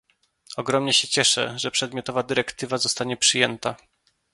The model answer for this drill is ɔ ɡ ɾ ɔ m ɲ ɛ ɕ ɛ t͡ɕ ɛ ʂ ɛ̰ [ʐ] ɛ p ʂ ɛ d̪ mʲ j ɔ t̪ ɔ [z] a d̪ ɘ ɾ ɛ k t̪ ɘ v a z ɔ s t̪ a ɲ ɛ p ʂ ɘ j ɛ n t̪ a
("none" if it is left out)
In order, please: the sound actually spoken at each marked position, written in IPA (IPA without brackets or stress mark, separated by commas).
ʐ, v